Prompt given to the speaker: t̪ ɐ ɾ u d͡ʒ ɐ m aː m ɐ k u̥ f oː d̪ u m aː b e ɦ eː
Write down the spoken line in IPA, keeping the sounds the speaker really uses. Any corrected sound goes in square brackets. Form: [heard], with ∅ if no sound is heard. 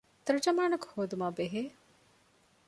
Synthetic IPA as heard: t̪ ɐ ɾ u d͡ʒ ɐ m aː [n] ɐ k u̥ [h] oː d̪ u m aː b e ɦ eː